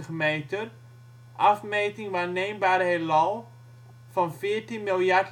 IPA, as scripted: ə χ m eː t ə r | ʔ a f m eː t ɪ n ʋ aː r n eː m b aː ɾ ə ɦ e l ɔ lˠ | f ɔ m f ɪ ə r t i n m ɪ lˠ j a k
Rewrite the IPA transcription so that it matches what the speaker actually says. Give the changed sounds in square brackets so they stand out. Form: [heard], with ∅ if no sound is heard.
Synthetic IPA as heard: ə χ m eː t ə r | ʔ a f m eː t ɪ [ŋ] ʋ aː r n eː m b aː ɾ ə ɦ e l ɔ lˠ | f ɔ [n] f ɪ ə r t i n m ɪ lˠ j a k